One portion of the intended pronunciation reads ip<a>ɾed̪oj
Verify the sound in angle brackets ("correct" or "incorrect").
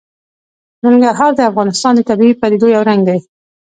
correct